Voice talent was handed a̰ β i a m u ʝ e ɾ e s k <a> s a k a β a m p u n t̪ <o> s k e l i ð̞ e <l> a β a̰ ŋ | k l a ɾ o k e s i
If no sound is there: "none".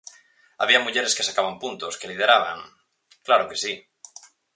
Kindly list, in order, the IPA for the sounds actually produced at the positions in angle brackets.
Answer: e, o, ɾ

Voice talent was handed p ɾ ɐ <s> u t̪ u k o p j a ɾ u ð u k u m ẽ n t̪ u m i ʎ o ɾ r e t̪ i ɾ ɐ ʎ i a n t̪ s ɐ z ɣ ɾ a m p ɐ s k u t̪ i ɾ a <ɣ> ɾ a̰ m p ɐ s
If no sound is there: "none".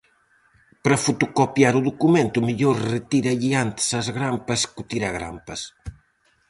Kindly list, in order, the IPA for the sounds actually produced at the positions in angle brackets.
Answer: f, ɣ

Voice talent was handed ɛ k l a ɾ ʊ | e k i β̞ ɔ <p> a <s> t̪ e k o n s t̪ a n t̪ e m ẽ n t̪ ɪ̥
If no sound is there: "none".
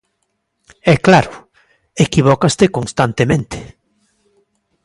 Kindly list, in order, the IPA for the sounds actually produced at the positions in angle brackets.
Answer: k, s

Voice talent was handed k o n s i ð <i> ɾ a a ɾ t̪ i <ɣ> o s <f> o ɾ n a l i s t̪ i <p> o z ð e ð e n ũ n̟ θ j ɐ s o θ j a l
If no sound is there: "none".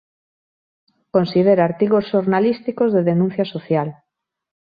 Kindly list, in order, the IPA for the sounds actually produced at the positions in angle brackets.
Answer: e, ɣ, ʃ, k

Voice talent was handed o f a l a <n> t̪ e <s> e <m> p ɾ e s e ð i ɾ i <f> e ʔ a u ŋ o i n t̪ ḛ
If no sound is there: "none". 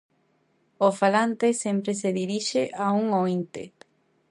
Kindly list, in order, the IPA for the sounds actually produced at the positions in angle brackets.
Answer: n, s, m, ʃ

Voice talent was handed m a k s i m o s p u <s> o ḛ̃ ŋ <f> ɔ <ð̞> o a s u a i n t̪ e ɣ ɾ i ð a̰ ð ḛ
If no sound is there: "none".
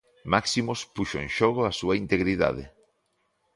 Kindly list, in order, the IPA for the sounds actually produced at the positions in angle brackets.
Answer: ʃ, ʃ, ɣ̞

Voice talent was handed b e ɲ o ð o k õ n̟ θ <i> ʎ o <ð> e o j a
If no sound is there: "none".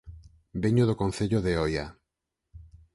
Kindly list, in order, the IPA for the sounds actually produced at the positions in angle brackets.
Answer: e, ð

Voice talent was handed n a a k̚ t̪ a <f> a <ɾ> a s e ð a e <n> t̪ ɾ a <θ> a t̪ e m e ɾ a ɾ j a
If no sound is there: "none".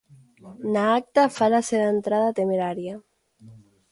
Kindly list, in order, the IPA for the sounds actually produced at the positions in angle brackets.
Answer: f, l, n, ð

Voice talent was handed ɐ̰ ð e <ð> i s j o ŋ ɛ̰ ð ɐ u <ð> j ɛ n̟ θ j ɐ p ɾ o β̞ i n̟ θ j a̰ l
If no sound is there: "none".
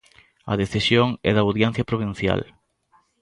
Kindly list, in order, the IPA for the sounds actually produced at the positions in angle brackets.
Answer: θ, ð

